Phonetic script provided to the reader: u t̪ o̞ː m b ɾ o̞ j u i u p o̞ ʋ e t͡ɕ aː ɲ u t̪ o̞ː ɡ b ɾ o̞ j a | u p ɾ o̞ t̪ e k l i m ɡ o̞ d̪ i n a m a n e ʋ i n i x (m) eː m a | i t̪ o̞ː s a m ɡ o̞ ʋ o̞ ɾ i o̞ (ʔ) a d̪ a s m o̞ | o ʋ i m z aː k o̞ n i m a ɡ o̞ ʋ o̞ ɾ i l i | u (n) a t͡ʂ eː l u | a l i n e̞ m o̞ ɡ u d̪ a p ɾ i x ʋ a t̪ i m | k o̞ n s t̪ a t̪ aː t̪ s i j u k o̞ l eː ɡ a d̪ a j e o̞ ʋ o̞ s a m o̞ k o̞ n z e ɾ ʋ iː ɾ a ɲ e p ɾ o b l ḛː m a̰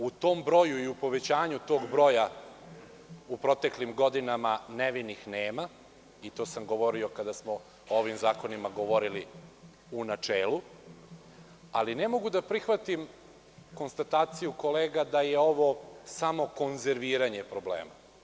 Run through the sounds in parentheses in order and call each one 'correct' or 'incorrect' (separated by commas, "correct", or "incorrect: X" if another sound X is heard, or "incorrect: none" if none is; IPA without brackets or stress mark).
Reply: incorrect: n, incorrect: k, correct